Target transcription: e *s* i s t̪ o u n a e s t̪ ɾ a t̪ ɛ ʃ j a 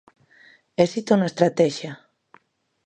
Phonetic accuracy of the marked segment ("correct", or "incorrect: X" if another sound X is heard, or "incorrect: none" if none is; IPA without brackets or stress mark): correct